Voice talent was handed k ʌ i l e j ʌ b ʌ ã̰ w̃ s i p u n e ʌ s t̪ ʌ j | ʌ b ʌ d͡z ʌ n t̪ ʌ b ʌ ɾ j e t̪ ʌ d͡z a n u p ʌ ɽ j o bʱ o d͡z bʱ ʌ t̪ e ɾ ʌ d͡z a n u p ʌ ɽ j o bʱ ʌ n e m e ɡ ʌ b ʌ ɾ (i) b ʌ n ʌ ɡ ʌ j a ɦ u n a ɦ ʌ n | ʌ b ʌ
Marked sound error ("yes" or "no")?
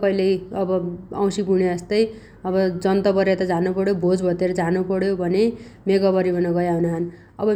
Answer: no